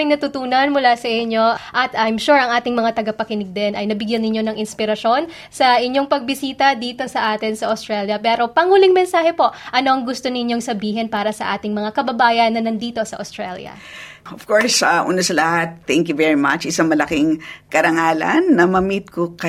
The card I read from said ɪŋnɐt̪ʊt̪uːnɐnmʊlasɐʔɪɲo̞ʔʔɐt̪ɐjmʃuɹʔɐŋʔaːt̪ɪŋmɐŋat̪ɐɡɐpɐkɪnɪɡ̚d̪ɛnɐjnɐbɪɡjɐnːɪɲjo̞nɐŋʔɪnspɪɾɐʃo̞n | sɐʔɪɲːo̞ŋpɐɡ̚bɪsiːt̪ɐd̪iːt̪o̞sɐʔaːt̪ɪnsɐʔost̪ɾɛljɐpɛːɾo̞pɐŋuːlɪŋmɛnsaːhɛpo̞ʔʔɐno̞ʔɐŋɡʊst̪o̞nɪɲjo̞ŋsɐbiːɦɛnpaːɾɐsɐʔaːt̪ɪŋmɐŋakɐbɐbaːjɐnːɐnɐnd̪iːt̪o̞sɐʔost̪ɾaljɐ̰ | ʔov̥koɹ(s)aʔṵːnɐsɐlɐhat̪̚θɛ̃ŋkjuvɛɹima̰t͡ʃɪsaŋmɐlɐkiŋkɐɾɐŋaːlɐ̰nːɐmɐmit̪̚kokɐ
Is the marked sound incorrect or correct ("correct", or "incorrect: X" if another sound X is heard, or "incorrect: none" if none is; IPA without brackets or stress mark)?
correct